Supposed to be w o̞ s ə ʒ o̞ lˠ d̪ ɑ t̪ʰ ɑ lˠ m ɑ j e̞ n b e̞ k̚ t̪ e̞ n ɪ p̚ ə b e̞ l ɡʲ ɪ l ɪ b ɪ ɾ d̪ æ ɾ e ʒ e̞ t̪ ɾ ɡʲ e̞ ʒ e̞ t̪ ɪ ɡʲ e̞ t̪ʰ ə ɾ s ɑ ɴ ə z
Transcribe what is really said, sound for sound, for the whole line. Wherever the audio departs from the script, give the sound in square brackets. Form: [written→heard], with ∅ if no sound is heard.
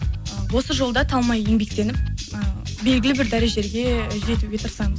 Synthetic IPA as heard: w o̞ s ə ʒ o̞ lˠ d̪ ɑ t̪ʰ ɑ lˠ m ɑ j e̞ [n→ŋ] b e̞ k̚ t̪ e̞ n ɪ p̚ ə b e̞ l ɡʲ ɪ l ɪ b ɪ ɾ d̪ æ ɾ e ʒ e̞ [t̪→∅] ɾ ɡʲ e̞ ʒ e̞ t̪ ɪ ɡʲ e̞ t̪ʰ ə ɾ s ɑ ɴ ə z